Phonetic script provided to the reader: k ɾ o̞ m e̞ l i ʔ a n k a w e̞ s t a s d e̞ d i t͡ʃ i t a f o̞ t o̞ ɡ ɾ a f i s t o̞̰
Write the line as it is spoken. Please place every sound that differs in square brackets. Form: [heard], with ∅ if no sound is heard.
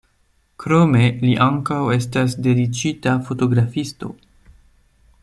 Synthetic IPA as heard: k ɾ o̞ m e̞ l i ʔ a [ŋ] k a w e̞ s t a s d e̞ d i t͡ʃ i t a f o̞ t o̞ ɡ ɾ a f i s t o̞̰